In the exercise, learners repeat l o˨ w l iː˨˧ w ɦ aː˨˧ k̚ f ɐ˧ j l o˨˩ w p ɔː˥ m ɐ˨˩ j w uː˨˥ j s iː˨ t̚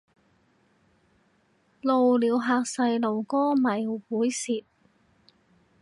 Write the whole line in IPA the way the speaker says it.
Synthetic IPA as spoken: l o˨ w l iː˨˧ w ɦ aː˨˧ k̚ s ɐ˧ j l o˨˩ w k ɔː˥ m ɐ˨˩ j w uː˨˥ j s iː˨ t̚